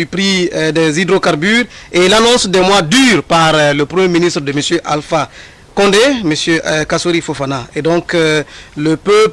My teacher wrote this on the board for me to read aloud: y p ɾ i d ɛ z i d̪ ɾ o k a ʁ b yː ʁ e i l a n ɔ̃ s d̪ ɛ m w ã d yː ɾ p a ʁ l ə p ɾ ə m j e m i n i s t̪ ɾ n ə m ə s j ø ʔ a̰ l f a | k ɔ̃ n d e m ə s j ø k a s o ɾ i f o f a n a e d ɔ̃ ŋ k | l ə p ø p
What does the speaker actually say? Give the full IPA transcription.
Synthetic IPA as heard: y p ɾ i d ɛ z i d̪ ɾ o k a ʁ b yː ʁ e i l a n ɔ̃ s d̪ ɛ m w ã d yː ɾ p a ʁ l ə p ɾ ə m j e m i n i s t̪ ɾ d ə m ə s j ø ʔ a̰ l f a | k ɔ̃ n d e m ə s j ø k a s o ɾ i f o f a n a e d ɔ̃ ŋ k | l ə p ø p